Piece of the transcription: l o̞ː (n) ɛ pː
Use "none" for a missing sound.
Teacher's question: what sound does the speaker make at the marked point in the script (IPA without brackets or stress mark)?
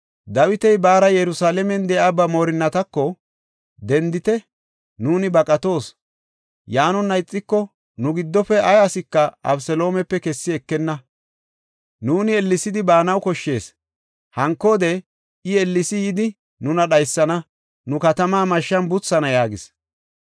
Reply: m